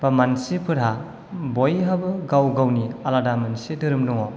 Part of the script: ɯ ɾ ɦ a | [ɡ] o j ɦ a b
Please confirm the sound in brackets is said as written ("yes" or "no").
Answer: no